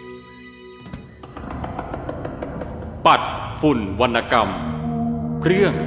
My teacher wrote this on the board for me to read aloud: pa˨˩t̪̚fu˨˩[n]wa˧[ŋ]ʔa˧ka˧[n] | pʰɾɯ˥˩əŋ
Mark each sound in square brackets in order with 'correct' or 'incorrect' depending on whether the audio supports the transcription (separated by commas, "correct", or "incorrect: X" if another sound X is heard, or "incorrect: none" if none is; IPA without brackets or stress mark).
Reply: correct, incorrect: n, incorrect: m